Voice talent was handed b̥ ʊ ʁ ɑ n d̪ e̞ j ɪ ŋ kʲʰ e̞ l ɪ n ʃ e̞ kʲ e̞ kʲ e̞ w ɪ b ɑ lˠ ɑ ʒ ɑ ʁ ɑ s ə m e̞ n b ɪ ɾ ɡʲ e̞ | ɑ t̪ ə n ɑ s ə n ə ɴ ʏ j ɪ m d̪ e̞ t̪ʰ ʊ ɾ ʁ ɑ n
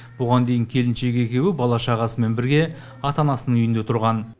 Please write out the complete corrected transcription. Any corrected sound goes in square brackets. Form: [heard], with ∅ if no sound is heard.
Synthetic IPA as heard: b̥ ʊ ʁ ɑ n d̪ e̞ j ɪ ŋ kʲʰ e̞ l ɪ n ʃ e̞ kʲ e̞ kʲ e̞ w ɪ b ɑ lˠ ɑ [ʃ] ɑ ʁ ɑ s ə m e̞ n b ɪ ɾ ɡʲ e̞ | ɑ t̪ [ɑ] n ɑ s ə n ə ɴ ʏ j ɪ [n] d̪ e̞ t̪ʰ ʊ ɾ ʁ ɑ n